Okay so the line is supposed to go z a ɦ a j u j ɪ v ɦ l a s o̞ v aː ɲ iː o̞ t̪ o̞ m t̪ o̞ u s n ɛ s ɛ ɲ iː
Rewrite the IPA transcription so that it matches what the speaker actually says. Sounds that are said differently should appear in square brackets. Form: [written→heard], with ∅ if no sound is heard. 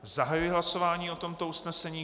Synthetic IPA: z a ɦ a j u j ɪ [v→∅] ɦ l a s o̞ v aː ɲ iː o̞ t̪ o̞ m t̪ o̞ u s n ɛ s ɛ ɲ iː